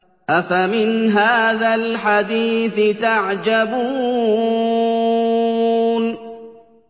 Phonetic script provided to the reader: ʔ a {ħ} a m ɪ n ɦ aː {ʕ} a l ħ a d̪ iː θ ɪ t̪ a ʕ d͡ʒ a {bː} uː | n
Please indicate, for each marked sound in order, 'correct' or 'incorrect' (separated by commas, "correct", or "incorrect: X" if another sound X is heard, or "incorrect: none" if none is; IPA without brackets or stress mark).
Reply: incorrect: f, incorrect: ð, incorrect: b